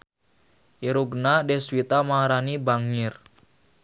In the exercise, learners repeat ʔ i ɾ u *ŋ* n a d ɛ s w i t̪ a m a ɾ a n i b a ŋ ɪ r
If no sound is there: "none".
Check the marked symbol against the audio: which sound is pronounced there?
ɡ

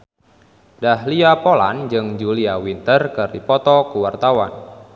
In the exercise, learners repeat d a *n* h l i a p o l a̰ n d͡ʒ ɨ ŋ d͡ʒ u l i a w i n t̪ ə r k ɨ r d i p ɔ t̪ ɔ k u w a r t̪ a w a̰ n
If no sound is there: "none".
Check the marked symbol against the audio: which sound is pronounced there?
none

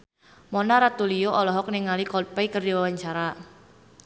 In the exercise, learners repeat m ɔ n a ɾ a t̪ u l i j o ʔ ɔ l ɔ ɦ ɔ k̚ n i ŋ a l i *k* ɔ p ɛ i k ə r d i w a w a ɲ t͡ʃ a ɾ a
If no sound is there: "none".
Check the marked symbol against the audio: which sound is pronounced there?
k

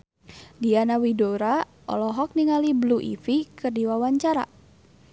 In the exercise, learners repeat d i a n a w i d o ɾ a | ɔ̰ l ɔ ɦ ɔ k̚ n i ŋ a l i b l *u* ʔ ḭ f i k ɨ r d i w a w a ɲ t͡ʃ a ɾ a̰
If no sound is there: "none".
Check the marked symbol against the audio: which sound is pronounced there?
u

